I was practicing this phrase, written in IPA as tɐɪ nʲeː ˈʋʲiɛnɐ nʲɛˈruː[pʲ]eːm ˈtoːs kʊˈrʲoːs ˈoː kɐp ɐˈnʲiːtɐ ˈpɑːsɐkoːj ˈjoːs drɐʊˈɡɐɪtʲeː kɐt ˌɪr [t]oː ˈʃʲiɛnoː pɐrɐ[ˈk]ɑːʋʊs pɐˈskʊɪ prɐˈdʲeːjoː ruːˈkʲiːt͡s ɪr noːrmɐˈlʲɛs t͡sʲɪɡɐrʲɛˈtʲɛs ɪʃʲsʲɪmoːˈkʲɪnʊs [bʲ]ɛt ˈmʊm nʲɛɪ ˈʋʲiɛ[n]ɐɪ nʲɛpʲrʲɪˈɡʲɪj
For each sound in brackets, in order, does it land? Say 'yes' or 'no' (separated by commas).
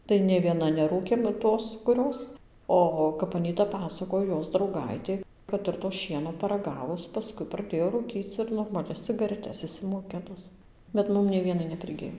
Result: no, yes, no, yes, yes